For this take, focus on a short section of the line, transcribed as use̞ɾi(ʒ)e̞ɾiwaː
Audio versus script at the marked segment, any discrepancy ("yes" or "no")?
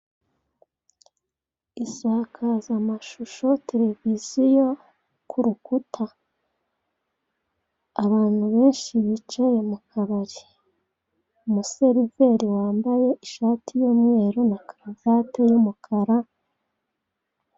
yes